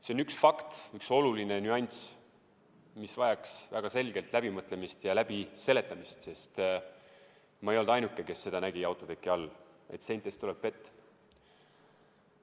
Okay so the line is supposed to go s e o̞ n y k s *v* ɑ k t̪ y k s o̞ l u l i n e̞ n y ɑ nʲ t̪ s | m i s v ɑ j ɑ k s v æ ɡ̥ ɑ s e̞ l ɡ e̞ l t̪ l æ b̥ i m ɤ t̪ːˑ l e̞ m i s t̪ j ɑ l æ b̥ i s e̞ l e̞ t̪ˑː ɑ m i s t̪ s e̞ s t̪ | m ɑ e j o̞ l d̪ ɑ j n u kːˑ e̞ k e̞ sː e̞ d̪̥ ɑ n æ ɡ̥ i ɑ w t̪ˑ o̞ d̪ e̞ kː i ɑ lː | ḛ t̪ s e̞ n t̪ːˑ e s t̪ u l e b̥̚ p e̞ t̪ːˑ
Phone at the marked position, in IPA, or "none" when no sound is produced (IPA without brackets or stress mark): f